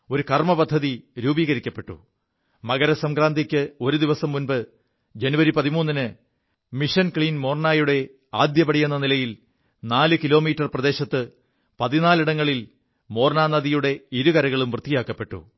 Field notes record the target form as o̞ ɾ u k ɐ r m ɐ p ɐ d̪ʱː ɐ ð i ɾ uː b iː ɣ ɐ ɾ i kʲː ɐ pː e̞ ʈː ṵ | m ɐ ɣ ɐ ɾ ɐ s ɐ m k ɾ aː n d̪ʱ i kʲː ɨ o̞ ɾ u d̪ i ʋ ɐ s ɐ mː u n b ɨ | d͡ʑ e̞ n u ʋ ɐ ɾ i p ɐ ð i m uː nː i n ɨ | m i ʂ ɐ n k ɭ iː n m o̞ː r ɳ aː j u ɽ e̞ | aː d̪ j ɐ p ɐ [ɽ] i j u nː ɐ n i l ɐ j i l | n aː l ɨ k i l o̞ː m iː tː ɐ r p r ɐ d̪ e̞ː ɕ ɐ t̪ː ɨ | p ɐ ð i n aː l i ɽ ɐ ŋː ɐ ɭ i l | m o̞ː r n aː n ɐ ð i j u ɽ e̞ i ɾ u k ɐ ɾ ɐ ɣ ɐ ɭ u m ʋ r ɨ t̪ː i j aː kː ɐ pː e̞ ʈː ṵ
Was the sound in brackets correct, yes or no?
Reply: yes